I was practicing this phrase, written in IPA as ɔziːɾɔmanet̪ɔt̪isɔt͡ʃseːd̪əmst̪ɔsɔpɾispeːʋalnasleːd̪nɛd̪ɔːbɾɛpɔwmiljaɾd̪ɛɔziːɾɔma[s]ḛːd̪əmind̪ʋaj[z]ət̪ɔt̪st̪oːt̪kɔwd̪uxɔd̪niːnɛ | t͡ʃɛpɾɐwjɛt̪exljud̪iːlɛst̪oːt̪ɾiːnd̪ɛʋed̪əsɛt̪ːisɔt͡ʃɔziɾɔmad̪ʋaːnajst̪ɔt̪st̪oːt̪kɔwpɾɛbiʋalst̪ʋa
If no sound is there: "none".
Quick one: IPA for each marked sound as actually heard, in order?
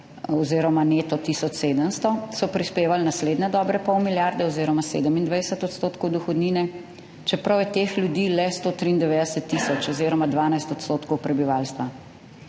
s, s

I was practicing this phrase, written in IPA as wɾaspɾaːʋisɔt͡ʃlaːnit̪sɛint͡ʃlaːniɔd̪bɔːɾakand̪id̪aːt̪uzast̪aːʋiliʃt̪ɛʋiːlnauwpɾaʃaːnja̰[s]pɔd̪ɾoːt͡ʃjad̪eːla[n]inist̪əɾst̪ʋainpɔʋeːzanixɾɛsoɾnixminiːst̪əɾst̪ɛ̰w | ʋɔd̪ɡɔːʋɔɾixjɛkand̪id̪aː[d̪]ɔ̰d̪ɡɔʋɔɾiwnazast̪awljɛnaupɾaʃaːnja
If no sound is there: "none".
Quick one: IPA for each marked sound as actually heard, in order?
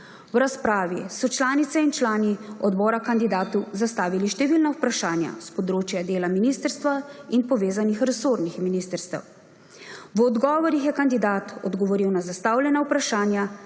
s, m, t̪

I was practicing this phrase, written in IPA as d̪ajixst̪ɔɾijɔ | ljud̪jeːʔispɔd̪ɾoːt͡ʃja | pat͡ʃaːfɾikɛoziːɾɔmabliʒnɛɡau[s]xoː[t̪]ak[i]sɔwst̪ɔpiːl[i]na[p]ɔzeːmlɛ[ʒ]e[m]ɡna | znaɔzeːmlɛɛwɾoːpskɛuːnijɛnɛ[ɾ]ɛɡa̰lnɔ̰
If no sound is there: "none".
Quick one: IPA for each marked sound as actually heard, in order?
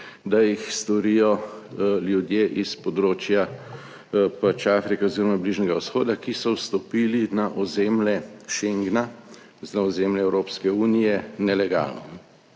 s, d̪, i, i, ʔ, ʃ, ŋ, l

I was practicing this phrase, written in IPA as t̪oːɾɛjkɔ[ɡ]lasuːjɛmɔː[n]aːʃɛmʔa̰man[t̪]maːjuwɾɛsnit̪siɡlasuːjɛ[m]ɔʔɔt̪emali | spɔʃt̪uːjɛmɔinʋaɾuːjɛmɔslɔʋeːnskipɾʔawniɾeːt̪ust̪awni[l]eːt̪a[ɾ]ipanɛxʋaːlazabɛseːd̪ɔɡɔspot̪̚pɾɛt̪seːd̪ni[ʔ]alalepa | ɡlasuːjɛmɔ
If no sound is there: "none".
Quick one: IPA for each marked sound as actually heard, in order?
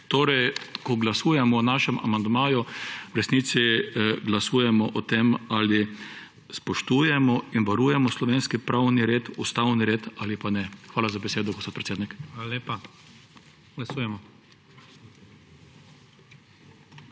ɡ, n, d̪, m, ɾ, l, k

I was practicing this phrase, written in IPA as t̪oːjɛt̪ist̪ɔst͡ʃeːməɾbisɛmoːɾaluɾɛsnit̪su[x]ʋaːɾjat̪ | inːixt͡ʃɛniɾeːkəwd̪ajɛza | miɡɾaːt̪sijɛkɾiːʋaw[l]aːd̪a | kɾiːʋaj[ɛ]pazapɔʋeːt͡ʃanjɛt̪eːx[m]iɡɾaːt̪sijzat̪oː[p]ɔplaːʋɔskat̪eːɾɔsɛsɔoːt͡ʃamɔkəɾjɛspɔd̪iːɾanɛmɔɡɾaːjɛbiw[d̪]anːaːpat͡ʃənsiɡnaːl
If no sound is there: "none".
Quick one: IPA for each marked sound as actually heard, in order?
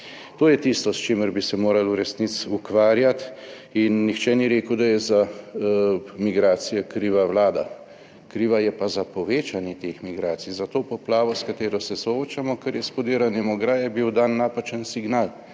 k, l, ɛ, m, p, d̪

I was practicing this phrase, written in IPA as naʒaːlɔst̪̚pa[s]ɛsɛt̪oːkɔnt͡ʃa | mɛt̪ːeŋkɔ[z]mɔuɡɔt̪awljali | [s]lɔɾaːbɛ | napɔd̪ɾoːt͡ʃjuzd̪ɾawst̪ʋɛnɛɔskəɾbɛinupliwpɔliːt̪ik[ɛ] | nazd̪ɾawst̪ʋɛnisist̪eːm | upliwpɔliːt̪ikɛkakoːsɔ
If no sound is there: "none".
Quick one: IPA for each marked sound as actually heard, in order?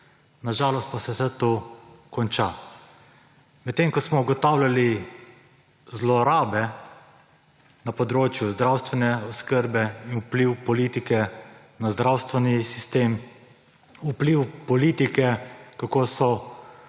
s, s, z, ɛ

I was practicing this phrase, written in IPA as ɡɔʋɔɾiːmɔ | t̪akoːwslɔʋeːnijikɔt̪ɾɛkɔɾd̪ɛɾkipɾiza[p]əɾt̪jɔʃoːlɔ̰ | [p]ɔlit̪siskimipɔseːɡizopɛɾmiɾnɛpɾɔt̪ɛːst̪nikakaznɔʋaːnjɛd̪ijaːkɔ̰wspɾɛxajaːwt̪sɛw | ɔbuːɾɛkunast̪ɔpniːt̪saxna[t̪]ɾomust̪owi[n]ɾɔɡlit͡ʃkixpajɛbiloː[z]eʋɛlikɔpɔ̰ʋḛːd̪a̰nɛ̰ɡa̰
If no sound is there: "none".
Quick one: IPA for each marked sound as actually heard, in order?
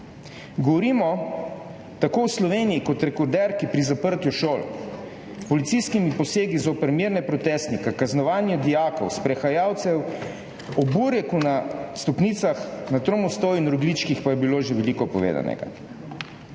p, p, t̪, n, ʒ

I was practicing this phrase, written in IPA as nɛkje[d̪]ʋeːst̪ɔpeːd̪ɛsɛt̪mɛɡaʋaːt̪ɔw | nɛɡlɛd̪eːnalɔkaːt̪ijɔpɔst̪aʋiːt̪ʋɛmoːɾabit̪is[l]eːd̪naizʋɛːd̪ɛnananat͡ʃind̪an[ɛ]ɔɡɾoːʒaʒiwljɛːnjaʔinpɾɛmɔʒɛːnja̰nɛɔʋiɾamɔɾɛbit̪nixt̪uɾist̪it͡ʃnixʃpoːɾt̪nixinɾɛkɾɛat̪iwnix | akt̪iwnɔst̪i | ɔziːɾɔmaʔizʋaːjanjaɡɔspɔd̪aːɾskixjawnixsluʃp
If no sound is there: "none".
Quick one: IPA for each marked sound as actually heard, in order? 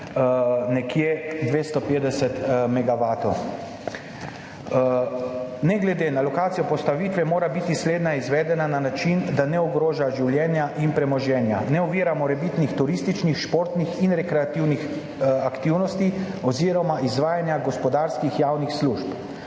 d̪, l, ɛ

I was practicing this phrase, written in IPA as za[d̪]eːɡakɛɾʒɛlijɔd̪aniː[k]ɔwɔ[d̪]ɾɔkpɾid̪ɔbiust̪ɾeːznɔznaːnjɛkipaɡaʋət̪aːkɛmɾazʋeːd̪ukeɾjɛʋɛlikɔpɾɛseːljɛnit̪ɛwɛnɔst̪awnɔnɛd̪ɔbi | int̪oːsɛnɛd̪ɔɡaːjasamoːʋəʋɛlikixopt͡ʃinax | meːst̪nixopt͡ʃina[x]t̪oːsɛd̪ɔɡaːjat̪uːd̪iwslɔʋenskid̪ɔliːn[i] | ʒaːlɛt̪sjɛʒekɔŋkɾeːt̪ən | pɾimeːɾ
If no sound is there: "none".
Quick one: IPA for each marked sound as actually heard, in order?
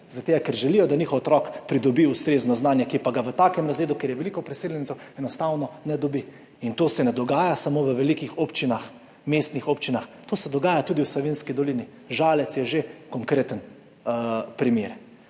t̪, x, t̪, x, i

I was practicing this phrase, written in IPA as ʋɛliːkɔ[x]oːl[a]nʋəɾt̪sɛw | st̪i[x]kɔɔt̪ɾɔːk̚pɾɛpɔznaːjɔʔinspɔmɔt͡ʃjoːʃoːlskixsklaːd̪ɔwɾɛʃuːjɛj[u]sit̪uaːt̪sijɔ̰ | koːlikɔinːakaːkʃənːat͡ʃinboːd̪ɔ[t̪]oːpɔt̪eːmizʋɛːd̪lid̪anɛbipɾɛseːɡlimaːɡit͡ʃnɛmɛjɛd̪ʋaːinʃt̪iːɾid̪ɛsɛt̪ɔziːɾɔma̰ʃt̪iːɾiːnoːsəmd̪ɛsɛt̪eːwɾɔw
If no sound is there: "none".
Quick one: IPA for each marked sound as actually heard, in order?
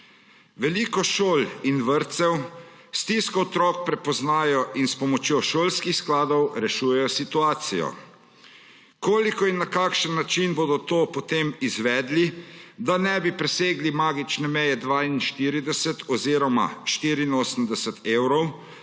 ʃ, i, s, ɔ, t̪

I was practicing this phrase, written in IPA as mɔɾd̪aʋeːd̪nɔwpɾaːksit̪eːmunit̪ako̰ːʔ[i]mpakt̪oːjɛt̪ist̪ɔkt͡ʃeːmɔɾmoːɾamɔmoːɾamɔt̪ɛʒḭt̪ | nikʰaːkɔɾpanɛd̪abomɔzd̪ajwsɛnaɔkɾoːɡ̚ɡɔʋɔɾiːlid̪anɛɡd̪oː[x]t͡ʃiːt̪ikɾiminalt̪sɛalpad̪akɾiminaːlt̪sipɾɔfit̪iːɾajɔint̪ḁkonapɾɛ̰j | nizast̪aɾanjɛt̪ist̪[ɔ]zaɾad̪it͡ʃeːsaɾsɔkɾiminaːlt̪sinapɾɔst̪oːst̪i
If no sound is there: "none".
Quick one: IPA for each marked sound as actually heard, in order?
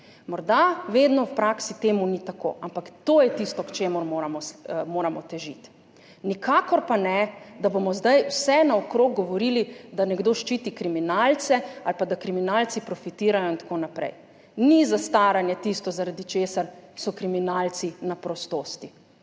a, ʃ, ɔ

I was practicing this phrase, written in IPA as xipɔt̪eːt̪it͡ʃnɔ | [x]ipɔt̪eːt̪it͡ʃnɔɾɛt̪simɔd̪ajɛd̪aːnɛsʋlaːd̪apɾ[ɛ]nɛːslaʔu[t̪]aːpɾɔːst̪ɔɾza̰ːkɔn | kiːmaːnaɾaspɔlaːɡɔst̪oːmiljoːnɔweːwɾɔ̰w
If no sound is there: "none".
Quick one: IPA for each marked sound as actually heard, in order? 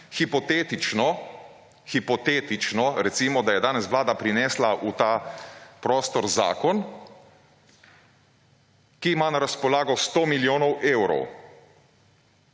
x, i, t̪

